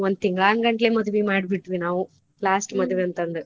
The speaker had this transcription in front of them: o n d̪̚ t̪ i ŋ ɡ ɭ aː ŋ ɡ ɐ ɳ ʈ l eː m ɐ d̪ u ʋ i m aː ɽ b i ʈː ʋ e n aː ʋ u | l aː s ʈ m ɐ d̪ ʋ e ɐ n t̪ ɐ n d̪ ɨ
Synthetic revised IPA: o n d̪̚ t̪ i ŋ ɡ ɭ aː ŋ ɡ ɐ ɳ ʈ l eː m ɐ d̪ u ʋ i m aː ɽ b i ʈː ʋ i n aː ʋ u | l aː s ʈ m ɐ d̪ ʋ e ɐ n t̪ ɐ n d̪ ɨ

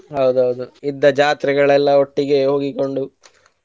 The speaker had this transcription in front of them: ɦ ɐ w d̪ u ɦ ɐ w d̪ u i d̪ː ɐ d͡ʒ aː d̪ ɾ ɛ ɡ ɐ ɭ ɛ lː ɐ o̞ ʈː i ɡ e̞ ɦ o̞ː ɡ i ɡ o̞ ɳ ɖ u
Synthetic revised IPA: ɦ ɐ w d̪ u ɦ ɐ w d̪ u i d̪ː ɐ d͡ʒ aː t̪ ɾ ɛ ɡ ɐ ɭ ɛ lː ɐ o̞ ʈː i ɡ e̞ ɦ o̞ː ɡ i k o̞ ɳ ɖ u

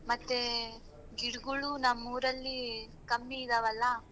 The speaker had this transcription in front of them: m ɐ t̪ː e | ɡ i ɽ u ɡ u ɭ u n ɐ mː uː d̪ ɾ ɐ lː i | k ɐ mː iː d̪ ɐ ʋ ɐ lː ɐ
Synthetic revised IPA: m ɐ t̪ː e | ɡ i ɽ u ɡ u ɭ u n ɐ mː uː ɾ ɐ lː i | k ɐ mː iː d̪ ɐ ʋ ɐ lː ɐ

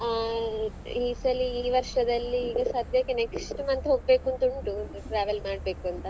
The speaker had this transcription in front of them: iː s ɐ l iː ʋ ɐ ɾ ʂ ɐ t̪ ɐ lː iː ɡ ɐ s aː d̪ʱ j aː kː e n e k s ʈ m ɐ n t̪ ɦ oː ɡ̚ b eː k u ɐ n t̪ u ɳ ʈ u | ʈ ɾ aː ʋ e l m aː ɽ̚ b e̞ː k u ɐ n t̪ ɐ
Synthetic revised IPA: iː s ɐ l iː ʋ ɐ ɾ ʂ ɐ d̪ ɐ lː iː ɡ ɐ s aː d̪ʱ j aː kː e n e k s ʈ m ɐ n t̪ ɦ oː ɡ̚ b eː k u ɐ n t̪ u ɳ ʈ u | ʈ ɾ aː ʋ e l m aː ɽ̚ b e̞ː k u ɐ n t̪ ɐ

